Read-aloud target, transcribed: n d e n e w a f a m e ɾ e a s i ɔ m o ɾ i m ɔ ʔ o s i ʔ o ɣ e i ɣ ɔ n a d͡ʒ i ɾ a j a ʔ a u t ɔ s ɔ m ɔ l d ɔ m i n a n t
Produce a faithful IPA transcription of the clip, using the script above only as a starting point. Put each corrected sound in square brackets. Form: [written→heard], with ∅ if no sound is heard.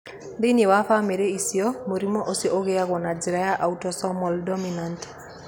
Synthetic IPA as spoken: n d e n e w a f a m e ɾ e [a→i] s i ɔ m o ɾ i m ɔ ʔ o s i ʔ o ɣ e [i→a] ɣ ɔ n a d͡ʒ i ɾ a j a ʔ a u t ɔ s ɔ m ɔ l d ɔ m i n a n t

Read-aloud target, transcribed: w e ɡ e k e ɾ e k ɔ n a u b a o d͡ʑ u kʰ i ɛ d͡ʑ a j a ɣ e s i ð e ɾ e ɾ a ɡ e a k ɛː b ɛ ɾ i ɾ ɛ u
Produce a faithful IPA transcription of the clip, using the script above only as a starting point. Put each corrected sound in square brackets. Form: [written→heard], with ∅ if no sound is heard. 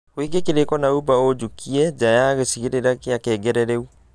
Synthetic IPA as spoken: w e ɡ e k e ɾ e k ɔ n a u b a o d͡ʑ u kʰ i ɛ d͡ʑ a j a ɣ e s i [ð→ɣ] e ɾ e ɾ a [ɡ→k] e a k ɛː [b→ɡ] ɛ ɾ [i→ɛ] ɾ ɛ u

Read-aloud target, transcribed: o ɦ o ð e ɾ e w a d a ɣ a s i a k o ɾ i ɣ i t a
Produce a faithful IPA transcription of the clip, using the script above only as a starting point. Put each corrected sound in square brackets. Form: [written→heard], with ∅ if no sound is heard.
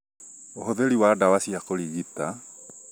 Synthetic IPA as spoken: o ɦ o ð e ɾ [e→i] w a d a [ɣ→w] a s i a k o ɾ i ɣ i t a

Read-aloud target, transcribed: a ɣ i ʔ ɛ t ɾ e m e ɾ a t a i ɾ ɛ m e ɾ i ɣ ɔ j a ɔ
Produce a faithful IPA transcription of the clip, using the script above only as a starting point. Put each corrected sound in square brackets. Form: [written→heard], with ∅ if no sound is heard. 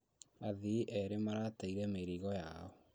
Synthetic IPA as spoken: a [ɣ→ð] i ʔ ɛ [t→∅] ɾ e m [e→a] ɾ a t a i ɾ ɛ m e ɾ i ɣ ɔ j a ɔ

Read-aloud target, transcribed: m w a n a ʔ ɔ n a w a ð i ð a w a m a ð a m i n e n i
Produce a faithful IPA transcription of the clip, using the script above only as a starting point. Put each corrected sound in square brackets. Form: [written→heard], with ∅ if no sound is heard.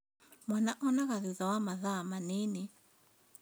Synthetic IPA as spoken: m w a n a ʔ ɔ n a [w→ɣ] a ð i ð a w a m a ð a m [i→a] n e n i

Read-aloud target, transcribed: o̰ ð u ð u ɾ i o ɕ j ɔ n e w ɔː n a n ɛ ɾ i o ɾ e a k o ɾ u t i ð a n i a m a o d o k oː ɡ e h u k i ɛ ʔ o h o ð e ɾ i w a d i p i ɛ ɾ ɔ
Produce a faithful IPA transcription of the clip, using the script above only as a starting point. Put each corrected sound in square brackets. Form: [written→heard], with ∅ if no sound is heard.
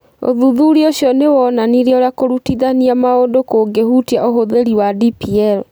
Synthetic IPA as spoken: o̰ ð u ð u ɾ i o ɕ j ɔ n e w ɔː n a n [ɛ→i] ɾ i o ɾ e a k o ɾ u t i ð a n i a m a o d o k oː ɡ e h u [k→t] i [ɛ→a] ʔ o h o ð e ɾ i w a d i p i ɛ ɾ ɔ

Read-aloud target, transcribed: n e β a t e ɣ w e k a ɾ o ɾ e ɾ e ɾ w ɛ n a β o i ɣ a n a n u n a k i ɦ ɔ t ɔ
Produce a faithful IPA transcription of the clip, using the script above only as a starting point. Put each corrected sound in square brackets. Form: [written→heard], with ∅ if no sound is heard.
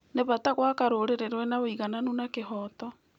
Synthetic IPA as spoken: n e β a t [e→a] ɣ w [e→a] k a ɾ o ɾ e ɾ e ɾ w ɛ n a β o i ɣ a n a n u n a k [i→e] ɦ ɔ t ɔ

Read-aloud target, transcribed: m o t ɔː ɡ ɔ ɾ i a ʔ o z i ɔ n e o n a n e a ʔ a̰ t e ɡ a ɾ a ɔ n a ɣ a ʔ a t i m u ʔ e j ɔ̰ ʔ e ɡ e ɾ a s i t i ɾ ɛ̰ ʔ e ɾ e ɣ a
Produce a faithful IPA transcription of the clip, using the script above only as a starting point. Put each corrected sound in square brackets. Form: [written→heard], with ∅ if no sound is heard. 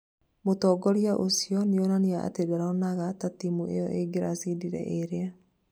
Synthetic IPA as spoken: m o t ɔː ɡ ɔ ɾ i a ʔ o [z→s] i ɔ n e o n a n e a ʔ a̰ t e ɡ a ɾ a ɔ n a ɣ a [ʔ→t] a t i m u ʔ e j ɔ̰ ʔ e ɡ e ɾ a s i [t→d] i ɾ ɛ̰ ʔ e ɾ e [ɣ→∅] a

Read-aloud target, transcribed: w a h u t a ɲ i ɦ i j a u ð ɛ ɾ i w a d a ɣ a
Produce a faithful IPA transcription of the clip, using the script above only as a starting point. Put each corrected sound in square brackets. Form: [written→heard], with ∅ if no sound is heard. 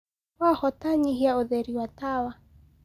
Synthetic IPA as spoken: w a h [u→ɔ] t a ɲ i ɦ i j a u ð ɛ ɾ i w a [d→t] a [ɣ→w] a

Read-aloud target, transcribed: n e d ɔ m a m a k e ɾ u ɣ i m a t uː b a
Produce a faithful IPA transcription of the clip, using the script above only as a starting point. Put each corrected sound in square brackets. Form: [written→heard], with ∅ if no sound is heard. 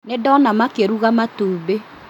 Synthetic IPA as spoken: n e d ɔ [m→n] a m a k e ɾ u ɣ [i→a] m a t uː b [a→e]

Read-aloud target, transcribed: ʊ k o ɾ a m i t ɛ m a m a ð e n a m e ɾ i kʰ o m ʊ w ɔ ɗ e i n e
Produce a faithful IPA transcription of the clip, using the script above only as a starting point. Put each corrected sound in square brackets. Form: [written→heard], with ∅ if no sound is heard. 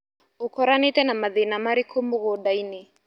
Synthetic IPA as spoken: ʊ k [o→ɔ] ɾ a [m→n] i t ɛ [m→n] a m a ð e n a m [e→a] ɾ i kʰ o m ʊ [w→ɣ] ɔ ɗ [e→a] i n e

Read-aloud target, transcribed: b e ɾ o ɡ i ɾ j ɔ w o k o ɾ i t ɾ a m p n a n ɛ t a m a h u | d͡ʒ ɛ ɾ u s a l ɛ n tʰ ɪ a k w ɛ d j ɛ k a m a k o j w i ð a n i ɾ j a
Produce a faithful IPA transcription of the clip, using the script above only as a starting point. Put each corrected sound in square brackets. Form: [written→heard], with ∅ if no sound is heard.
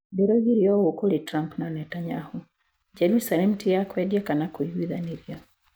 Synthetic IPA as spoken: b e ɾ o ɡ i ɾ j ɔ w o k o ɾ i t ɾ a m p n a n ɛ t a [m→ɲ] a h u | d͡ʒ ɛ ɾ u s a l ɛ [n→m] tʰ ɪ a k w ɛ d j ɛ k a [m→n] a k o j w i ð a n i ɾ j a

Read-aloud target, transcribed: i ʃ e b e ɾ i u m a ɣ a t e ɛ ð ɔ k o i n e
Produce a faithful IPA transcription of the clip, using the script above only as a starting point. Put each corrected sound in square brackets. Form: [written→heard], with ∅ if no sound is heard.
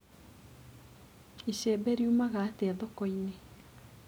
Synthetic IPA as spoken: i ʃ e b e ɾ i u m a ɣ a t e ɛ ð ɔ k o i n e

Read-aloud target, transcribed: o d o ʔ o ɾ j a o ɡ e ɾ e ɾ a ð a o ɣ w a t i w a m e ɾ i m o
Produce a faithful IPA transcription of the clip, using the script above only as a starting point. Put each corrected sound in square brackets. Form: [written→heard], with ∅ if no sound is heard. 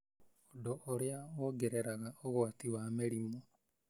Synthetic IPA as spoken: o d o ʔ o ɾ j a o ɡ e ɾ e ɾ a [ð→ɣ] a o ɣ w a t i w a m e ɾ i m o

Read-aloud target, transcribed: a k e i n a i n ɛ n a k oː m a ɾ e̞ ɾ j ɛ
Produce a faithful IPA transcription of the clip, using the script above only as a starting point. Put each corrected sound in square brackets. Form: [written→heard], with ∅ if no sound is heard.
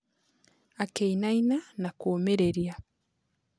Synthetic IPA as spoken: a k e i n a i n [ɛ→a] n a k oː m [a→e] ɾ e̞ ɾ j [ɛ→a]

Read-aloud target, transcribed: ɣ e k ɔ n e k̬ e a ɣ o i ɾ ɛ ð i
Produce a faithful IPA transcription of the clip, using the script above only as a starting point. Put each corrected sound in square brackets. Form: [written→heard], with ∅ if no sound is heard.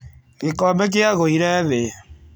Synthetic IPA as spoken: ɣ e k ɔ [n→m] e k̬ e a ɣ o i ɾ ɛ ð [i→e]

